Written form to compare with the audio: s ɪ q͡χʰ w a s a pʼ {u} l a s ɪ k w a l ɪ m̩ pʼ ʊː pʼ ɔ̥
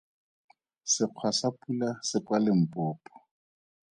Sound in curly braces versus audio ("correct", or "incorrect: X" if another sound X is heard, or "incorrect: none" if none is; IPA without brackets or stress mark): correct